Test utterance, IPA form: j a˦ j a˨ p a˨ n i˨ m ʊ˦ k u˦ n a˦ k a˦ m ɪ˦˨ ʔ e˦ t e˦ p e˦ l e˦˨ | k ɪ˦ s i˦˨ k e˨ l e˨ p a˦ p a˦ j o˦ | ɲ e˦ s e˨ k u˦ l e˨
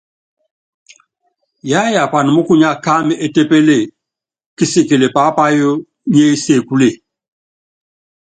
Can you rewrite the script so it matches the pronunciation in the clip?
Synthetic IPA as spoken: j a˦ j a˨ p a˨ n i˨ m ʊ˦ k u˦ ɲ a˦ k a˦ m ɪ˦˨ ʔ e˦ t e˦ p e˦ l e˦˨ | k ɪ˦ s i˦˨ k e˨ l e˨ p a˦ p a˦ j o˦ | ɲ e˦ s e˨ k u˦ l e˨